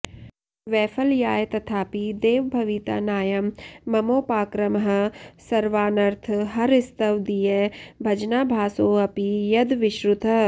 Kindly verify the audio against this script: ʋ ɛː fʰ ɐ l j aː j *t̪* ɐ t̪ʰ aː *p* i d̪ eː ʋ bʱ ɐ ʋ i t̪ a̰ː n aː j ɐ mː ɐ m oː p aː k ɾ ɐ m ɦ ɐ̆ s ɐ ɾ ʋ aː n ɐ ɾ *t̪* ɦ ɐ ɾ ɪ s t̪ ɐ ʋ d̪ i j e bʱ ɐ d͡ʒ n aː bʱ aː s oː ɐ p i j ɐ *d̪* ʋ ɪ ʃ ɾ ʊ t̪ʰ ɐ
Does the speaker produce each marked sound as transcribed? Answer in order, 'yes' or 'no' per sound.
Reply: yes, yes, no, yes

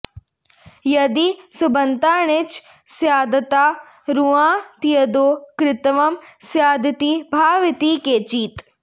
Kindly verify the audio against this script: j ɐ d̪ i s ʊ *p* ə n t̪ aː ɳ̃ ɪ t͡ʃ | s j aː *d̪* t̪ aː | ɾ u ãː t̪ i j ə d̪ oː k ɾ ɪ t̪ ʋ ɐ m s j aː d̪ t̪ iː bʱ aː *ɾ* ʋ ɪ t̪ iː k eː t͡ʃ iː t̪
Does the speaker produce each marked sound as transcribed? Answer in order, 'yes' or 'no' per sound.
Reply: no, yes, no

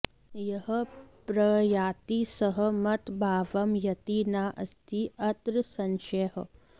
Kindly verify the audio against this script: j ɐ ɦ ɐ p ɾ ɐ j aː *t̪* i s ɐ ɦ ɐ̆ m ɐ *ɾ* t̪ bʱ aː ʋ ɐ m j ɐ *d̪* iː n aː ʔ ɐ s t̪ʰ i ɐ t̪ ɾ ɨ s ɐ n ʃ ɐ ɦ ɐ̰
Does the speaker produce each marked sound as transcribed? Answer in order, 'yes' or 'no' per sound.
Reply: yes, no, no

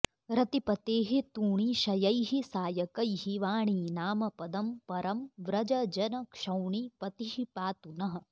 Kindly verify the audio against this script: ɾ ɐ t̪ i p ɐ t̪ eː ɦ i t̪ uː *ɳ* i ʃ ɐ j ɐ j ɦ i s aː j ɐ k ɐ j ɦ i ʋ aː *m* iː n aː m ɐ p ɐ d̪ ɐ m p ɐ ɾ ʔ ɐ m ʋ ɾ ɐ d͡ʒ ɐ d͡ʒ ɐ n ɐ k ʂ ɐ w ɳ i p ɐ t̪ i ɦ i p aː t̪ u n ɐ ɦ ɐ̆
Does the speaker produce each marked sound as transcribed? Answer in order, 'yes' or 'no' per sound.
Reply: yes, no

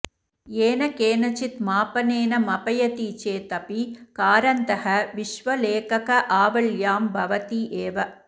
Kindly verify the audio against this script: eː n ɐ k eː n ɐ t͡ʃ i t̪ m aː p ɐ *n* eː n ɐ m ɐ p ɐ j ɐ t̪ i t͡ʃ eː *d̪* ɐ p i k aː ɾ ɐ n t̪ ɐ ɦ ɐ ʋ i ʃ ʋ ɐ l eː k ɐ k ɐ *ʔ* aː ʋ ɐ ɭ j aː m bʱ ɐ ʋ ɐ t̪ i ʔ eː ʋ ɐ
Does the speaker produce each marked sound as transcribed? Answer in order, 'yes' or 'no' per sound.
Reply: yes, no, yes

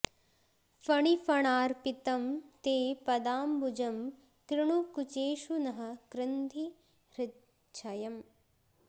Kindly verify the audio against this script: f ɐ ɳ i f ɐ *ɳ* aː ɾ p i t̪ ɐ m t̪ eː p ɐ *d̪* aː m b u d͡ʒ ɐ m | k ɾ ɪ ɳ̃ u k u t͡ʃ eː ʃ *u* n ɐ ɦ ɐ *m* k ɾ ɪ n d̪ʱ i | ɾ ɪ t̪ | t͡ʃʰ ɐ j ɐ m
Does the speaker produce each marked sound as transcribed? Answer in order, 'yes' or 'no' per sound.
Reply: yes, yes, yes, no

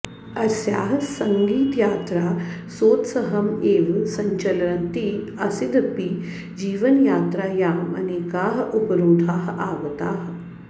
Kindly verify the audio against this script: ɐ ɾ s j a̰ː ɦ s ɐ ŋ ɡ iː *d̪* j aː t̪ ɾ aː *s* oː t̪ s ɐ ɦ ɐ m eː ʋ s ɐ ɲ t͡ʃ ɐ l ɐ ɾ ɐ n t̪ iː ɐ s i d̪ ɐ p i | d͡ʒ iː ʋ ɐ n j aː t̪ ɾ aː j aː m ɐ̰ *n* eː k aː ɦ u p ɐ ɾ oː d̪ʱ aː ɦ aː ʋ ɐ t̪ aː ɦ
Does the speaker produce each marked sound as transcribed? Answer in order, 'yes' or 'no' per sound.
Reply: no, yes, yes

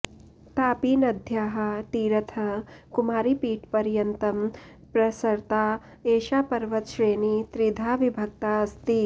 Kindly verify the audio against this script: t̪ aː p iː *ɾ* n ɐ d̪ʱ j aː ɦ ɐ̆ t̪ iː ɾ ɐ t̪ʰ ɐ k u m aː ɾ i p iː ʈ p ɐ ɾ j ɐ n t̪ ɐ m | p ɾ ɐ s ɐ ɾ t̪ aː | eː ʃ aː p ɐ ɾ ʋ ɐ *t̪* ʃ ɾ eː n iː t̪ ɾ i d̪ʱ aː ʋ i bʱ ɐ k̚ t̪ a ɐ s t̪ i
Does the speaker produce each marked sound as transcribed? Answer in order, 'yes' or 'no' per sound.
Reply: no, yes

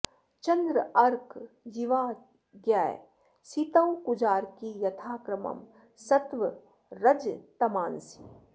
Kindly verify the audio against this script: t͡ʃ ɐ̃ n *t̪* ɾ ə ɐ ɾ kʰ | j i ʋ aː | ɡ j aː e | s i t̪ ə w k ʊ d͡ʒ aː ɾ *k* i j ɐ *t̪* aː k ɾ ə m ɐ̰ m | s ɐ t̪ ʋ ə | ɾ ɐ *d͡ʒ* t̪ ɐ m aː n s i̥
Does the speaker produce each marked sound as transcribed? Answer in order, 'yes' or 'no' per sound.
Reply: no, yes, no, yes

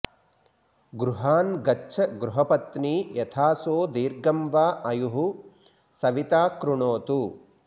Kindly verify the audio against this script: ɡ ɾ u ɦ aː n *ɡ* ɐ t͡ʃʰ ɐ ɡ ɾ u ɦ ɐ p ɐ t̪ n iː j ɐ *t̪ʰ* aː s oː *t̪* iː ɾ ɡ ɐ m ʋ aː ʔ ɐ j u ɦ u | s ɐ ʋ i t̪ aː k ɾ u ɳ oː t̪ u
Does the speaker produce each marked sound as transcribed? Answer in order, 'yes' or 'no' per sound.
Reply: yes, yes, no

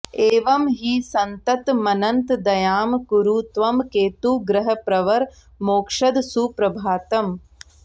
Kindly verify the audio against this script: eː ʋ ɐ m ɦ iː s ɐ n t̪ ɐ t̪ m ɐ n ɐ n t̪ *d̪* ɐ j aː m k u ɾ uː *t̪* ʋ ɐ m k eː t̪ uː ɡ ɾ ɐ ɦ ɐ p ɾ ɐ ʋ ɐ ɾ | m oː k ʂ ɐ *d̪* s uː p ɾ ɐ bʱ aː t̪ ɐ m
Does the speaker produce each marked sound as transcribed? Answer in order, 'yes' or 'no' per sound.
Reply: yes, yes, yes

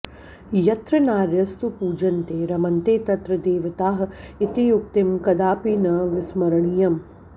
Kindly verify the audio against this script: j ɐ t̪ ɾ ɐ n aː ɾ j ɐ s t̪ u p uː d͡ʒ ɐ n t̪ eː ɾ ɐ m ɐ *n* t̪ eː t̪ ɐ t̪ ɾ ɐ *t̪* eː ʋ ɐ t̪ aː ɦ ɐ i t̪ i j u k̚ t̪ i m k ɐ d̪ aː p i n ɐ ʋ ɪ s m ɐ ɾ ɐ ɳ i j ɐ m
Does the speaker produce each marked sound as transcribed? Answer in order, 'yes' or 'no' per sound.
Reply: yes, no

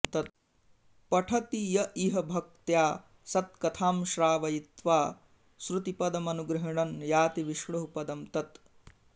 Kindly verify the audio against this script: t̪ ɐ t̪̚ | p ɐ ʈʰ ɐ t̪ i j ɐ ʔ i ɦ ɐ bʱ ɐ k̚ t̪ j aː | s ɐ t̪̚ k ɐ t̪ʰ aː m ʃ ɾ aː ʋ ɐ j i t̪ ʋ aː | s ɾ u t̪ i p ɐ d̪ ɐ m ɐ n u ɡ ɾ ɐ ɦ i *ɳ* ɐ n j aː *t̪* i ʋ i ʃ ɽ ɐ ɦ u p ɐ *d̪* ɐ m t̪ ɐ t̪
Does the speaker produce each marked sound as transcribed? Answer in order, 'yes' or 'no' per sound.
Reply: yes, yes, yes

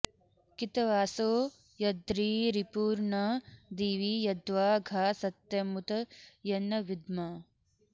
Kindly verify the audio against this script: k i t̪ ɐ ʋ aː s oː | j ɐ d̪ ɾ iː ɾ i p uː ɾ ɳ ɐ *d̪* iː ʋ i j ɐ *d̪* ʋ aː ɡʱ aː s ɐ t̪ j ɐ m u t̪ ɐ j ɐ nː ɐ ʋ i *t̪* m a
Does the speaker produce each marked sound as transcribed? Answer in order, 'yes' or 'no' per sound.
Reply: yes, yes, no

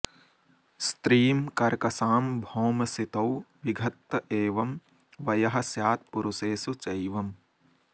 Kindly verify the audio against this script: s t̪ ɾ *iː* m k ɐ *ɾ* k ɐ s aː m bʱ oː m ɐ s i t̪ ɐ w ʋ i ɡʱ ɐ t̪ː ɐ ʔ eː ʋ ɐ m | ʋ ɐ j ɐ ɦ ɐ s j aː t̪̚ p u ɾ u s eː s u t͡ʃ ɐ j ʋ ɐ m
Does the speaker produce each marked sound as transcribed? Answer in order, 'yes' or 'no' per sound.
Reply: yes, yes

